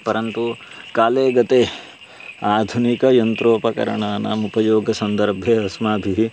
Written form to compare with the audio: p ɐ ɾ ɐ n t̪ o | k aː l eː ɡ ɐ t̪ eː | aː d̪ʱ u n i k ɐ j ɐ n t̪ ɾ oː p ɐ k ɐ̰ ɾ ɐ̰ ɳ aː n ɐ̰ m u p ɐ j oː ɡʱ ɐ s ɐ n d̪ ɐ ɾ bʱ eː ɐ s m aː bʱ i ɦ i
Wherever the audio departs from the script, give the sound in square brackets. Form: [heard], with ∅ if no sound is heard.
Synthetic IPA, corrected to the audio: p ɐ ɾ ɐ n t̪ [u] | k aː l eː ɡ ɐ t̪ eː | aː d̪ʱ u n i k ɐ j ɐ n t̪ ɾ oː p ɐ k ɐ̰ ɾ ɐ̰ ɳ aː n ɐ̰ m u p ɐ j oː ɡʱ ɐ s ɐ n d̪ ɐ ɾ bʱ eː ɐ s m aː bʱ i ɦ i